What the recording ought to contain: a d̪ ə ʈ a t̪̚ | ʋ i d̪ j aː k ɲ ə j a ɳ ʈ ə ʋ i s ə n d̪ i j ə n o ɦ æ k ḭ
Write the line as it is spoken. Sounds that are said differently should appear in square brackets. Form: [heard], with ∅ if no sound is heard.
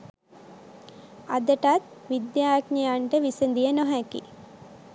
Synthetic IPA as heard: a d̪ ə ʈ a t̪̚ | ʋ i d̪ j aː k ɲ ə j a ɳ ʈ ə ʋ i s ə n d̪ i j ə n o ɦ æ k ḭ